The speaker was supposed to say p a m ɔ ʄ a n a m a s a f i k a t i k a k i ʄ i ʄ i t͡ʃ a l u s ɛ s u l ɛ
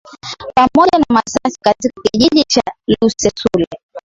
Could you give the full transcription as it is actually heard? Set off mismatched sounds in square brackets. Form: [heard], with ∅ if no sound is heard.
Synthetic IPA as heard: p a m ɔ ʄ a n a m a s a [s] i k a t i k a k i ʄ i ʄ i t͡ʃ a l u s ɛ s u l ɛ